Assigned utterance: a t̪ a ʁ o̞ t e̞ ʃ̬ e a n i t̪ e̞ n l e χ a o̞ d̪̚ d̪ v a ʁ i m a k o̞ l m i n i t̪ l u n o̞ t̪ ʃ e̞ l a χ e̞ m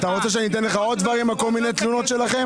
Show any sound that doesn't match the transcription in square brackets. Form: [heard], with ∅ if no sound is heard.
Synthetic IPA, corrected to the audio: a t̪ a ʁ o̞ [t͡s] e̞ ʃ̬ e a n i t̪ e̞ n l e χ a o̞ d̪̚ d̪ v a ʁ i m a k o̞ l m i n [e] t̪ l u n o̞ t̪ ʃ e̞ l a χ e̞ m